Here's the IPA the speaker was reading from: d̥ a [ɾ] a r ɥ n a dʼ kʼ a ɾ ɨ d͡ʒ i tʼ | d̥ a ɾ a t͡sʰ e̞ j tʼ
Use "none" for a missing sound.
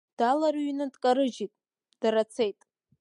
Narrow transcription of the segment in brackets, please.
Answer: l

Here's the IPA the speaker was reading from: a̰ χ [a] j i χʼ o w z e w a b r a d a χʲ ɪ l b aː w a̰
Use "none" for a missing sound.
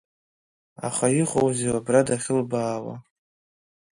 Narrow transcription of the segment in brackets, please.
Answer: a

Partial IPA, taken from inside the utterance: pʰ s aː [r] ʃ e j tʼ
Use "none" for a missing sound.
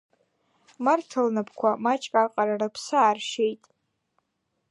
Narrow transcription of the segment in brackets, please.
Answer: r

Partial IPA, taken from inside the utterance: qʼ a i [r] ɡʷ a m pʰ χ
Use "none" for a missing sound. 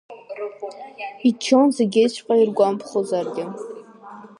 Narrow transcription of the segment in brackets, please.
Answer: r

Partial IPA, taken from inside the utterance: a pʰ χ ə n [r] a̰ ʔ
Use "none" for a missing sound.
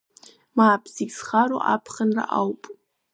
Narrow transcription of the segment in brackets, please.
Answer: r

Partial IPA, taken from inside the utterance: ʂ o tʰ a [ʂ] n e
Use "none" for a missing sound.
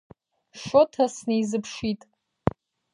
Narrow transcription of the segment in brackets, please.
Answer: s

